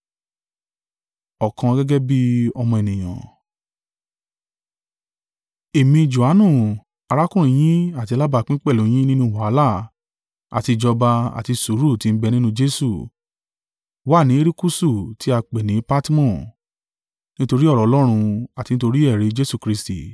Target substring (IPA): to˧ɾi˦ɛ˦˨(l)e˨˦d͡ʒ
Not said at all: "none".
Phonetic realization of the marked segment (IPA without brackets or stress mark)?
ɾ